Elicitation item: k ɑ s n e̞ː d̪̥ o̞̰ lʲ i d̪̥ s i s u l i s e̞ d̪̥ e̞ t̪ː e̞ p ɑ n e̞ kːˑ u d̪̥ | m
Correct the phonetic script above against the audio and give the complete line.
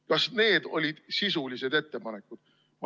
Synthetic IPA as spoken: k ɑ s n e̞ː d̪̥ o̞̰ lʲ i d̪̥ s i s u l i s e̞ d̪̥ e̞ t̪ː e̞ p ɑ n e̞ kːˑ u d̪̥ | m